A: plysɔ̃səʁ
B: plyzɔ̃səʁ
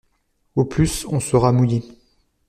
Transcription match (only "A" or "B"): A